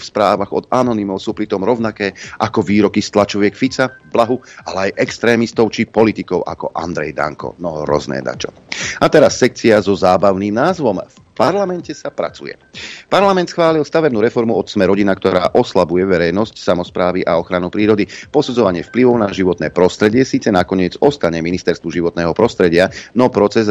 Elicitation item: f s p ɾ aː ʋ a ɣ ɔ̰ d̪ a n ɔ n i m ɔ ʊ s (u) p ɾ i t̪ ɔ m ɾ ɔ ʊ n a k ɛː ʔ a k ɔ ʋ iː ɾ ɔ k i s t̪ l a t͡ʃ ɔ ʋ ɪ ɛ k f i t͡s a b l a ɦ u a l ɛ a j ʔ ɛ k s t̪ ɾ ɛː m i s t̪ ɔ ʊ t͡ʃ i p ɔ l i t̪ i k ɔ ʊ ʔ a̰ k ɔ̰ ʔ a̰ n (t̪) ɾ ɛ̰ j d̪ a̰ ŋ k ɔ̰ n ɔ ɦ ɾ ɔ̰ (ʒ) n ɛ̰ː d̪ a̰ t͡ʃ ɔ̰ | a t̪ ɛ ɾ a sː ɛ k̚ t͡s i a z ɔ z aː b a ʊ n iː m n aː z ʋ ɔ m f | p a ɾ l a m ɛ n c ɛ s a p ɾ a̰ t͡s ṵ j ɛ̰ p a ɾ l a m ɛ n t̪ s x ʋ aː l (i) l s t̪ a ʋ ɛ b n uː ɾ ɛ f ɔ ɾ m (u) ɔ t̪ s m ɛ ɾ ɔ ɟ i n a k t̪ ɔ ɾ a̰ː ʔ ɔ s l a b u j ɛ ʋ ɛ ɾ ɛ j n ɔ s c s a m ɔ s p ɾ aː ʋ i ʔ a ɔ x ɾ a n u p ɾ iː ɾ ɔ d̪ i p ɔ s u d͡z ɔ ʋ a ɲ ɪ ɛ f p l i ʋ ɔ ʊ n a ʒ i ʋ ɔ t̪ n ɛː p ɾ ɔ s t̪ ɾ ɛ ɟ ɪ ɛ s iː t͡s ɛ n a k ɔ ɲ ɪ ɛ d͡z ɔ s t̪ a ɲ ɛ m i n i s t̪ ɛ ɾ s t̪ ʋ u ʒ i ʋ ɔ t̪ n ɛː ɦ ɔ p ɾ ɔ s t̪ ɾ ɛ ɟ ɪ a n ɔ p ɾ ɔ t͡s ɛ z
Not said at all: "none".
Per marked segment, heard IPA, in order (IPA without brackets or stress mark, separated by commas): uː, d̪, z, i, u